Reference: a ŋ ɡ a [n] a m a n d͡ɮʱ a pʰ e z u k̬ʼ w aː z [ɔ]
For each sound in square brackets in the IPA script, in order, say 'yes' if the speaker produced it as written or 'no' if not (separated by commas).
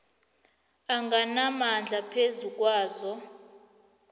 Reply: yes, yes